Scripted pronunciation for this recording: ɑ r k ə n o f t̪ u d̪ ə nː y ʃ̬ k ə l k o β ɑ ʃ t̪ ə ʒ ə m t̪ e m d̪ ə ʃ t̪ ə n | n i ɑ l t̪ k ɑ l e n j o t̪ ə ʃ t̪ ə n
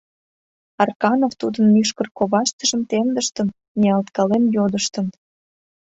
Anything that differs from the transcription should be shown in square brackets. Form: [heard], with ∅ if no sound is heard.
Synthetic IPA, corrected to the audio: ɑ r k [ɑ] n o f t̪ u d̪ ə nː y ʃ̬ k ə [r] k o β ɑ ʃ t̪ ə ʒ ə m t̪ e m d̪ ə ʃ t̪ ə n | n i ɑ l t̪ k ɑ l e [m] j o [d̪] ə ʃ t̪ ə n